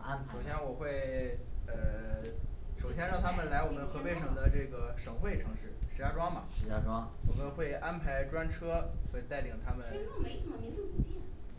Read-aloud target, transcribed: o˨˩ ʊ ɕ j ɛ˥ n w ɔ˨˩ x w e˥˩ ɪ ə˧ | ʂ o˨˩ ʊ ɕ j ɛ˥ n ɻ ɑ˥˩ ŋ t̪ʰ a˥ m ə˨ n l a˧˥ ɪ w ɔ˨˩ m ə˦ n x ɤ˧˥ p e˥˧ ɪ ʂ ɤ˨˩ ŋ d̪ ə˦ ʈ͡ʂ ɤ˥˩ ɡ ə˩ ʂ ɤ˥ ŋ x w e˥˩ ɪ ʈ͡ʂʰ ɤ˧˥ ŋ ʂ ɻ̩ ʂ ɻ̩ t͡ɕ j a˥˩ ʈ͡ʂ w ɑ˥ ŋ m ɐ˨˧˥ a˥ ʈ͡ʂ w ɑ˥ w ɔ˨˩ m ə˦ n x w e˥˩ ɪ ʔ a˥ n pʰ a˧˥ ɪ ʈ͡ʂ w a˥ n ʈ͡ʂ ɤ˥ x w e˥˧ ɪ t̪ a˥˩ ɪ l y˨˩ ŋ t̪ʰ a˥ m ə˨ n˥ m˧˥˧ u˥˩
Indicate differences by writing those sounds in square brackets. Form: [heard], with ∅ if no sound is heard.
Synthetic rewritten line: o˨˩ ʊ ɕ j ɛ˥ n w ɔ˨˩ x w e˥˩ ɪ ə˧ | ʂ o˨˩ ʊ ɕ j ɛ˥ n ɻ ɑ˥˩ ŋ t̪ʰ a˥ m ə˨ n l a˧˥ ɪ w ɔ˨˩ m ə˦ n x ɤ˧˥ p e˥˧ ɪ ʂ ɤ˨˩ ŋ d̪ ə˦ ʈ͡ʂ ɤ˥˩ ɡ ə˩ ʂ [ɤ˨˩] ŋ x w e˥˩ ɪ ʈ͡ʂʰ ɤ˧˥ ŋ ʂ ɻ̩ ʂ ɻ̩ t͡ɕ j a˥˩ ʈ͡ʂ w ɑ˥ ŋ m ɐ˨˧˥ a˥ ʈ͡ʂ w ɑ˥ w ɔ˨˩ m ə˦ n x w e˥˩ ɪ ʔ a˥ n pʰ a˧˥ ɪ ʈ͡ʂ w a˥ n [ʈ͡ʂʰ] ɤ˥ x w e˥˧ ɪ t̪ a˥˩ ɪ l [i˨˩] ŋ t̪ʰ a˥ m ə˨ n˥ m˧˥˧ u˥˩